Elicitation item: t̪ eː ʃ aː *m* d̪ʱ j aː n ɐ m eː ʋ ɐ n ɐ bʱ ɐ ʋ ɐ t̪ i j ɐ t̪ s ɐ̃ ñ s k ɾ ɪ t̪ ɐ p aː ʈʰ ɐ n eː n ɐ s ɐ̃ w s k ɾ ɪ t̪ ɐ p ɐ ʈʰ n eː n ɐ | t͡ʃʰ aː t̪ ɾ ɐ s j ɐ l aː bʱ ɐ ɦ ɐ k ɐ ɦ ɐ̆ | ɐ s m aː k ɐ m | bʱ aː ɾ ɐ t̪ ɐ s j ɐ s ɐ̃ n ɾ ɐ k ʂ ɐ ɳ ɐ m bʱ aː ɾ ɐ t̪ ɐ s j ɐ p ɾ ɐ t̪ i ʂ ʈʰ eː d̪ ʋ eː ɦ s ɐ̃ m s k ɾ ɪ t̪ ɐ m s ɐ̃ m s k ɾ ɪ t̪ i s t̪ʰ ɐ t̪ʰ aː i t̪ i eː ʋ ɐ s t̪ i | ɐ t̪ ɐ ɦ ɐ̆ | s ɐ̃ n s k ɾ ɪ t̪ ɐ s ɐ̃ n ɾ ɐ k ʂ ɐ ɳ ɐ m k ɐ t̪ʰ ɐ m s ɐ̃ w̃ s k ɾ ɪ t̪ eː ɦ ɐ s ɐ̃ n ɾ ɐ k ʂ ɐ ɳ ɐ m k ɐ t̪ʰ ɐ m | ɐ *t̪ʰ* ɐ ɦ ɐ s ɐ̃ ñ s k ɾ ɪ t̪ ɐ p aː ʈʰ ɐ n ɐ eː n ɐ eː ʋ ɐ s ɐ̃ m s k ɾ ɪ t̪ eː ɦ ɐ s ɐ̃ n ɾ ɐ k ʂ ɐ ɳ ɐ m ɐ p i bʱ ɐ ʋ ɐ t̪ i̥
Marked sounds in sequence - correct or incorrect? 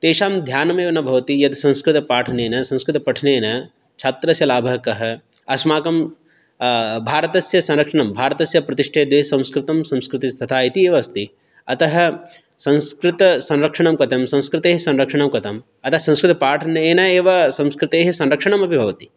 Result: correct, incorrect

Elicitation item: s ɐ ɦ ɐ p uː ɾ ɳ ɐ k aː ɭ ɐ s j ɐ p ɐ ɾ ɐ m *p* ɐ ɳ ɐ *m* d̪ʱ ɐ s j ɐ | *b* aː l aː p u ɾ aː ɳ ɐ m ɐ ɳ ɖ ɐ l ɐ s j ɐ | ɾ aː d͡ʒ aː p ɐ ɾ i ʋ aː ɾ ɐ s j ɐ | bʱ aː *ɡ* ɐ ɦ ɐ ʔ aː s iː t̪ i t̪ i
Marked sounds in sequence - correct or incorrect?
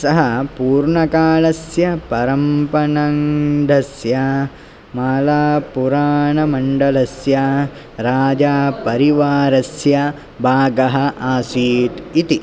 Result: correct, incorrect, incorrect, correct

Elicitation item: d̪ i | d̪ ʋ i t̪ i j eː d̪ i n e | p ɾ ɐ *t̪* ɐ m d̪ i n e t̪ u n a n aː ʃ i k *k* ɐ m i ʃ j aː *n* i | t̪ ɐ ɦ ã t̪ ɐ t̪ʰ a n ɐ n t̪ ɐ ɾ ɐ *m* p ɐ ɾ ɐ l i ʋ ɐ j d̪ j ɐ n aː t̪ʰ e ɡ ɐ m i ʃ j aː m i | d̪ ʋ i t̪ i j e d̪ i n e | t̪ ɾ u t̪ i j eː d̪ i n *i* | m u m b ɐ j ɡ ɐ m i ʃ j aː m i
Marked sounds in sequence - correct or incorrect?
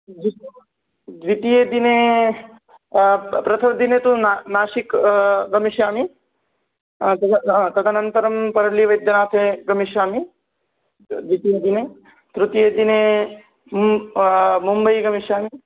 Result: incorrect, incorrect, incorrect, correct, incorrect

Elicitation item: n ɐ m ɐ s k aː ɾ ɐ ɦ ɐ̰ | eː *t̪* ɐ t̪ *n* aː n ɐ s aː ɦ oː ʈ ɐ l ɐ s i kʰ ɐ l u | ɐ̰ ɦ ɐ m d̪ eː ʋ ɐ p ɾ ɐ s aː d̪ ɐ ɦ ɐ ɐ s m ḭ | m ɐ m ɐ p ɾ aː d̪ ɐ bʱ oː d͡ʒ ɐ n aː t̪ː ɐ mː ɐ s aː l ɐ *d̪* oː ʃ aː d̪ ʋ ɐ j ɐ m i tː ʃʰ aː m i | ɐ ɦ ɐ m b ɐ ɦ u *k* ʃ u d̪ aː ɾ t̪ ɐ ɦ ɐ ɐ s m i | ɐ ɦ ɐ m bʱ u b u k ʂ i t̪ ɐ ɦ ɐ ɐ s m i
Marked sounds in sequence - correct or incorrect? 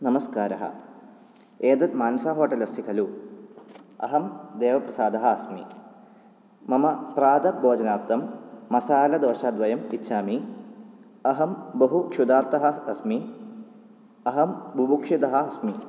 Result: incorrect, incorrect, correct, correct

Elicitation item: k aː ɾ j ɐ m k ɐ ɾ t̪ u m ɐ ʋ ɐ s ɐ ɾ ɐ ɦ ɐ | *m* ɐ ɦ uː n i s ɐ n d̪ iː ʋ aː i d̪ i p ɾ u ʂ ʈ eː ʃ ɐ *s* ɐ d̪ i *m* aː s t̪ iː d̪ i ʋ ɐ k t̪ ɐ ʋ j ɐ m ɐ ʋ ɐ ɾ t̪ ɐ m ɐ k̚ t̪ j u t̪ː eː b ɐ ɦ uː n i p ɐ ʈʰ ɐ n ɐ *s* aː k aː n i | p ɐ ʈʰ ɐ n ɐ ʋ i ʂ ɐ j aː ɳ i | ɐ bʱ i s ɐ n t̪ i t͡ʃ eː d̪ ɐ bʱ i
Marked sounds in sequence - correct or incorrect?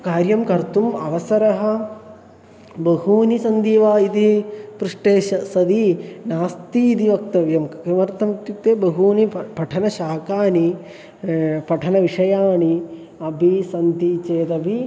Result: incorrect, correct, incorrect, incorrect

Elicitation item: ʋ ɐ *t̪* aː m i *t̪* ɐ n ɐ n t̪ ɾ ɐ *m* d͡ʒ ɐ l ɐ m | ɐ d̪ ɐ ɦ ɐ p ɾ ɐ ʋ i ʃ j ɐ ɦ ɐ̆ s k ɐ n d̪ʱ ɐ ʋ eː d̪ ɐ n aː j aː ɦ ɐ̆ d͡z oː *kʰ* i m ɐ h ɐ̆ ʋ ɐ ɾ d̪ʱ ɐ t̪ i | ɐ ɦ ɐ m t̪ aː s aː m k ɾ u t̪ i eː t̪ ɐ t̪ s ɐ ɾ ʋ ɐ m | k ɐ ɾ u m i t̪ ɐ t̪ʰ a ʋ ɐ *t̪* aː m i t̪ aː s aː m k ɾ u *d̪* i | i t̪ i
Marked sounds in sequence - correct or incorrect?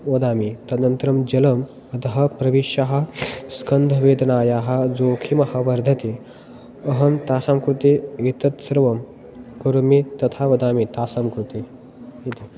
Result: incorrect, correct, correct, correct, incorrect, incorrect

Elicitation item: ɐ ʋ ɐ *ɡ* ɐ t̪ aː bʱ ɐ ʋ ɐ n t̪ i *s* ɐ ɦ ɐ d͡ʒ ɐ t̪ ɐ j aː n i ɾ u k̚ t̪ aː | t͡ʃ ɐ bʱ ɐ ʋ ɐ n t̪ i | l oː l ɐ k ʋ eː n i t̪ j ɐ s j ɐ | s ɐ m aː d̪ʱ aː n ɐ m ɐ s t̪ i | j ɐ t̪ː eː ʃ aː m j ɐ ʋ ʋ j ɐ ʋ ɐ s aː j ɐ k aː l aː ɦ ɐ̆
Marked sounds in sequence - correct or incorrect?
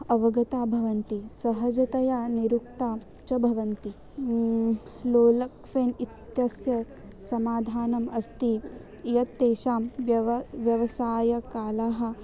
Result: correct, correct

